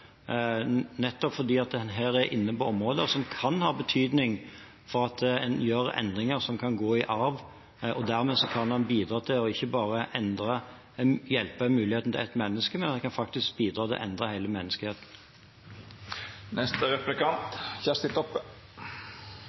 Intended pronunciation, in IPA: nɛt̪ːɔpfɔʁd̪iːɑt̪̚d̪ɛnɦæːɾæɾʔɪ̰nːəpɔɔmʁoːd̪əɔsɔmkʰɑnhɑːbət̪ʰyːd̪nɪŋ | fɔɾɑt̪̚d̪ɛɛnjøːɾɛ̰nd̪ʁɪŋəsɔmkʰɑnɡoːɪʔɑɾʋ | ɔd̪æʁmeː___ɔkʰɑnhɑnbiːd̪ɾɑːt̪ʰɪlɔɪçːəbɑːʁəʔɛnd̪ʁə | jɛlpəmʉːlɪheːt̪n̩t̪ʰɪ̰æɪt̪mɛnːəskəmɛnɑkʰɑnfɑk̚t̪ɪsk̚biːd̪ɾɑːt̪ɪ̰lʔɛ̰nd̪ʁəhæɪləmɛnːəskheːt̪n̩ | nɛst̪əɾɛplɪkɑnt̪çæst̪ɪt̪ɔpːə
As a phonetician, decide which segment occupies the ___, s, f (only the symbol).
s